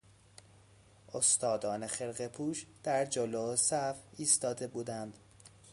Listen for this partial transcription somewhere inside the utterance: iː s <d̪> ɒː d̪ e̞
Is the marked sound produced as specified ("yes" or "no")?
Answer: no